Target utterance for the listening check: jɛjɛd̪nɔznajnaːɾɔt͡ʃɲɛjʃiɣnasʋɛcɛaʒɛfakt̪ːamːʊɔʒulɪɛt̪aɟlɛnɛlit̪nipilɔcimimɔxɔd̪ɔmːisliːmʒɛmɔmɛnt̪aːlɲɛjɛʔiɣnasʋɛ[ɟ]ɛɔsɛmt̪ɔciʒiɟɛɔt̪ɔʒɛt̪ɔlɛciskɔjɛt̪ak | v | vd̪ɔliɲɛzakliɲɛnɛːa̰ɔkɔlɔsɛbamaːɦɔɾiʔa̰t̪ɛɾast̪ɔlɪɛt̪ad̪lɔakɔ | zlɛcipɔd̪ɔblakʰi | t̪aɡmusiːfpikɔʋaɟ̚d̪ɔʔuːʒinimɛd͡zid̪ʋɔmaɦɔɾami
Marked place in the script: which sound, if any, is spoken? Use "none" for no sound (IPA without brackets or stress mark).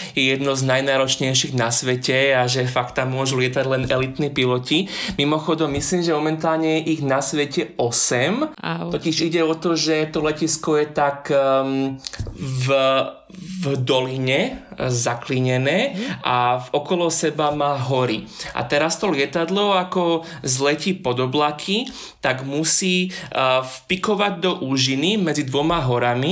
c